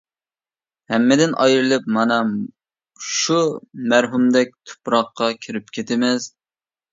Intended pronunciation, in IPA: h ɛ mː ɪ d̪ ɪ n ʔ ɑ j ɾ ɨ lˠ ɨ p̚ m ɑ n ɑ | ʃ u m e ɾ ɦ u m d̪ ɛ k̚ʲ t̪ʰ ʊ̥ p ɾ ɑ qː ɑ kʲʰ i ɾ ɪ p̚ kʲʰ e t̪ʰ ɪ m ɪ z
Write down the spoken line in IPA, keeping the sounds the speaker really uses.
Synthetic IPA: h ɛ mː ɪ d̪ ɪ n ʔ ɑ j ɾ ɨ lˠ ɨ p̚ m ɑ n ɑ | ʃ u m æ ɾ ɦ u m d̪ ɛ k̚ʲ t̪ʰ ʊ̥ p ɾ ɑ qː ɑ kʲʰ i ɾ ɪ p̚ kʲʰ e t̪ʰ ɪ m ɪ z